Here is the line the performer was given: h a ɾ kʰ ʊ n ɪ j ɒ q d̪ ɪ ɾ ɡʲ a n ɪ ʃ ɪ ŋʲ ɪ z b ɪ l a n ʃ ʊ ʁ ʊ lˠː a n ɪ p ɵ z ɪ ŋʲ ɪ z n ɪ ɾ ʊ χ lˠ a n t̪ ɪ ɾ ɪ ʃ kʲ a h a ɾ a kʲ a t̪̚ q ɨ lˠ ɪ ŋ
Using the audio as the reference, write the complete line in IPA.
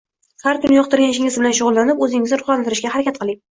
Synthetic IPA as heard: h a ɾ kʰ ʊ n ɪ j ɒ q t̪ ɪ ɾ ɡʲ a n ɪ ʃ ɪ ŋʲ ɪ z b ɪ l a n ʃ ʊ ʁ ʊ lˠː a n ɪ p ɵ z ɪ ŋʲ ɪ z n ɪ ɾ ʊ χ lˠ a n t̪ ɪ ɾ ɪ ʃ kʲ a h a ɾ a kʲ a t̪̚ q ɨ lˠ ɪ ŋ